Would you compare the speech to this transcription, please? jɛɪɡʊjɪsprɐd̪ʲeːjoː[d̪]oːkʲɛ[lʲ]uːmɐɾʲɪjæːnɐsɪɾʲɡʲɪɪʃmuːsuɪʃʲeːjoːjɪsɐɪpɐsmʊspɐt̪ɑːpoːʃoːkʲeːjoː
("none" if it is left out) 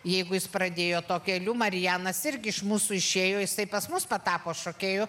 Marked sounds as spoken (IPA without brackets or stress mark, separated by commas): t̪, lʲ